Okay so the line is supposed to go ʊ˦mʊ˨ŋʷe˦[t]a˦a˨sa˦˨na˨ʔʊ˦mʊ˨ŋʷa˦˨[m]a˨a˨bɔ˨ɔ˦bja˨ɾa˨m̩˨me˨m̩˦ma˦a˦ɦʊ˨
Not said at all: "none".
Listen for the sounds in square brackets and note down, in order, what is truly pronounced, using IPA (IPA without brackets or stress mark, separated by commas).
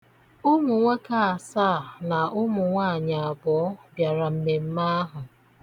k, ɲ